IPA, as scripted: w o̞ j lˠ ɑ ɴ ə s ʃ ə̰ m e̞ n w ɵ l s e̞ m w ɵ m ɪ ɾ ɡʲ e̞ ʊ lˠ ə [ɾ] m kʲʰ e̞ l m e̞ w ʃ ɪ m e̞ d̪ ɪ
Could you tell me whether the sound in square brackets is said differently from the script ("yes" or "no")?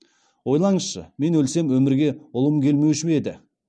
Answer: yes